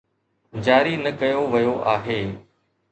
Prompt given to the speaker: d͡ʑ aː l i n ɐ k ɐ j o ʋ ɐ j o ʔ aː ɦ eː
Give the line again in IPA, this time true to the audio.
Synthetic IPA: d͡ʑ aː ɾ i n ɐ k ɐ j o ʋ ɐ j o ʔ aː ɦ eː